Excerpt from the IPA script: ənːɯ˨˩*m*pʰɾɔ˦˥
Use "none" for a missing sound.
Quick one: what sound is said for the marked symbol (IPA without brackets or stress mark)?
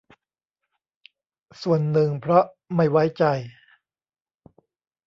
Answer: ŋ